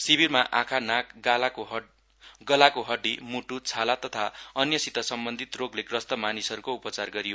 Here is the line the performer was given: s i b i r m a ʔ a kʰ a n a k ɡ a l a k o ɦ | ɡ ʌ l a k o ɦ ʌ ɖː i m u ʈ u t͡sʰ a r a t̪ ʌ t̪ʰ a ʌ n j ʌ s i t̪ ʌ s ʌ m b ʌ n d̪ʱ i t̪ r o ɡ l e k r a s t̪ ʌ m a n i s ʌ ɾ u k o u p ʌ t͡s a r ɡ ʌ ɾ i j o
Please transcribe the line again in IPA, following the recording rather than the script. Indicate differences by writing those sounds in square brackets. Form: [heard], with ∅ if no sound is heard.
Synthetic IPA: s i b i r m a ʔ a kʰ a n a k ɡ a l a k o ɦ | ɡ ʌ l a k o ɦ ʌ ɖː i m u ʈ u t͡sʰ a [l] a t̪ ʌ t̪ʰ a ʌ n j ʌ s i t̪ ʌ s ʌ m b ʌ n d̪ʱ i t̪ r o ɡ l e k r [ʌ] s t̪ ʌ m a n i s ʌ ɾ u k o u p ʌ t͡s a r ɡ ʌ ɾ i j o